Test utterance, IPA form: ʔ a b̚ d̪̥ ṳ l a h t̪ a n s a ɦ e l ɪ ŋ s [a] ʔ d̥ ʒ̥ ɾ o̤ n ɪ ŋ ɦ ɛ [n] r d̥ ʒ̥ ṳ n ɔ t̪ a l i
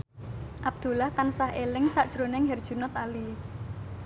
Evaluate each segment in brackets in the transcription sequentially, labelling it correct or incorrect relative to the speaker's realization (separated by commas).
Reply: correct, incorrect